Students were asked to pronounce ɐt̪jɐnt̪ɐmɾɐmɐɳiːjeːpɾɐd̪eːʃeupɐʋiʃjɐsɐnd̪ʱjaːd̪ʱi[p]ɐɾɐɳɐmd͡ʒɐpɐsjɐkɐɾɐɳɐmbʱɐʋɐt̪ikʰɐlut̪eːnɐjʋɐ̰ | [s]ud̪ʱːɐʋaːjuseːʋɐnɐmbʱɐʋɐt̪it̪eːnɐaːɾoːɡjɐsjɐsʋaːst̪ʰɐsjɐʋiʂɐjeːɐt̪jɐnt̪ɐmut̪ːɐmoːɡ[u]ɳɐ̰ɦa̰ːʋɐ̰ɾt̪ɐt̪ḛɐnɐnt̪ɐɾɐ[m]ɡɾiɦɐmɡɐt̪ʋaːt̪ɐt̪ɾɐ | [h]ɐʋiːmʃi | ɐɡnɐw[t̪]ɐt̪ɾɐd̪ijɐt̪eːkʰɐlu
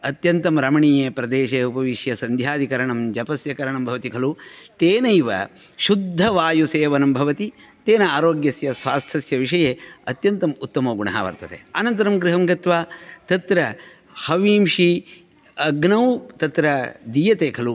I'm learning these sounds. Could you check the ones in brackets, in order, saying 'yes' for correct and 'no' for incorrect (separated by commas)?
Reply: no, no, yes, yes, yes, yes